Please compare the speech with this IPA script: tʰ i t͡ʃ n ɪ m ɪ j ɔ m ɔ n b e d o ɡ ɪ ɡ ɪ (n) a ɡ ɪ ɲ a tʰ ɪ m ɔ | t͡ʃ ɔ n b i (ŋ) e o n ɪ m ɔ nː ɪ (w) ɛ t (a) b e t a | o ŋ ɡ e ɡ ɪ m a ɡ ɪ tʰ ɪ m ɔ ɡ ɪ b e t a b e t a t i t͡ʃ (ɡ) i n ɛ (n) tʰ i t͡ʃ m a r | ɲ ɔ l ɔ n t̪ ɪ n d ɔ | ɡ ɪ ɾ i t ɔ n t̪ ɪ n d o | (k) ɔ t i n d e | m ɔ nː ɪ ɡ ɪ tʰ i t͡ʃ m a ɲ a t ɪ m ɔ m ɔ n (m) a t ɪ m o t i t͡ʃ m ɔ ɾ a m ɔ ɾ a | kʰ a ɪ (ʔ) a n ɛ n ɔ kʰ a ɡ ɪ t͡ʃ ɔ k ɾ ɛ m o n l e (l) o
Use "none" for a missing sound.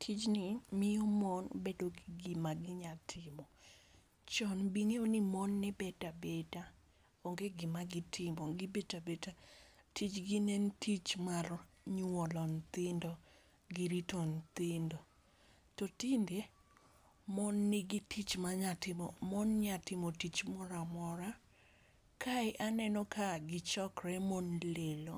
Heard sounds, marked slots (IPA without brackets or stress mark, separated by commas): m, ŋ, b, a, ɡ, n, t, ɲ, ʔ, l